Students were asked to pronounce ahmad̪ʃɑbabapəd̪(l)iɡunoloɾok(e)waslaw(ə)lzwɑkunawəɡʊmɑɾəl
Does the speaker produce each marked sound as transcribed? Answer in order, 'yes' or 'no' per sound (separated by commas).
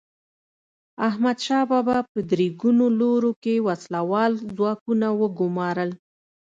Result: no, yes, no